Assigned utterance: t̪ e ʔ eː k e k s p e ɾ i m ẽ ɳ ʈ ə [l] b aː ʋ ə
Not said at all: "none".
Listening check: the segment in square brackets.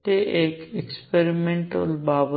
l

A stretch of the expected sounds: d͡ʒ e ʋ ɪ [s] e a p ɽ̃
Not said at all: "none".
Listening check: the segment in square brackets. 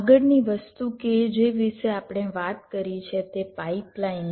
ʃ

